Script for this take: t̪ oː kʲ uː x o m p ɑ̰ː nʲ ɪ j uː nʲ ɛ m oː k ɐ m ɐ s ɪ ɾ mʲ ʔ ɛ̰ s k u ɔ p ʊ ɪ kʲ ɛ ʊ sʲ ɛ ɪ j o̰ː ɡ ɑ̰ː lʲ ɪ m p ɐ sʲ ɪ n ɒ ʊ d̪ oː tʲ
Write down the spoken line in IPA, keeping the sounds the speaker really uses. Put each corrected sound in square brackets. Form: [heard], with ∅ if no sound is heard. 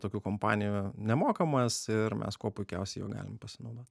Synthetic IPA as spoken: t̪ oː kʲ uː [k] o m p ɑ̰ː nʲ ɪ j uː nʲ ɛ m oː k ɐ m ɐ s ɪ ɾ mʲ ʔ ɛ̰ s k u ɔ p ʊ ɪ kʲ ɛ ʊ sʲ ɛ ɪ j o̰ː ɡ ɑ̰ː lʲ ɪ m p ɐ sʲ ɪ n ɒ ʊ d̪ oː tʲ